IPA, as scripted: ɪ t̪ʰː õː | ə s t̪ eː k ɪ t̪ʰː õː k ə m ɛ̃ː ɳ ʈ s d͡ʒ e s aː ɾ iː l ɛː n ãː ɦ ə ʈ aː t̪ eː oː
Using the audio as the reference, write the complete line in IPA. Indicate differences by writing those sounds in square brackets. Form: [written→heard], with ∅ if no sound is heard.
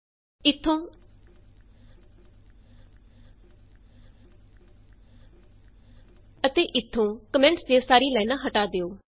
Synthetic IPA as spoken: ɪ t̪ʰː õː | ə [s→∅] t̪ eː [k→ʔ] ɪ t̪ʰː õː k ə m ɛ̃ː ɳ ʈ s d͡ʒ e s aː ɾ iː l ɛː n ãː ɦ ə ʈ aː [t̪→d̪] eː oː